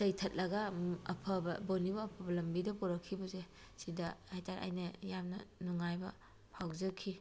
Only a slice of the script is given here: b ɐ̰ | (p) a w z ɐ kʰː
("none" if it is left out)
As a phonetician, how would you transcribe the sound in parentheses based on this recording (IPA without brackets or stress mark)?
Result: pʰ